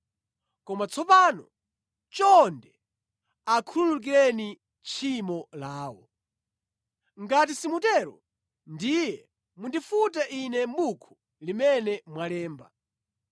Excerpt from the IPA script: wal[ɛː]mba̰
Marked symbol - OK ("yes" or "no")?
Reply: yes